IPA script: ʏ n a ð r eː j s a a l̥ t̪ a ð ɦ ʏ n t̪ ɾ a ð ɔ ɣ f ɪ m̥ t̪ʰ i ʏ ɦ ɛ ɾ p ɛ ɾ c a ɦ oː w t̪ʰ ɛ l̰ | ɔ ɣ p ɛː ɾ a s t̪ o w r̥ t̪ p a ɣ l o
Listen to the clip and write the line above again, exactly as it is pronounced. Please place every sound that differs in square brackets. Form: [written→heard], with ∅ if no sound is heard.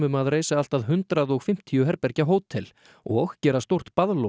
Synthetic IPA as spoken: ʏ [n→m] a ð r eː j s a a l̥ t̪ a ð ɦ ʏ n t̪ ɾ a ð ɔ ɣ f ɪ m̥ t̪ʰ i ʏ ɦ ɛ ɾ p ɛ ɾ c a ɦ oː w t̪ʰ ɛ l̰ | ɔ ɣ [p→c] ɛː ɾ a s t̪ o w r̥ t̪ p a [ɣ→ð] l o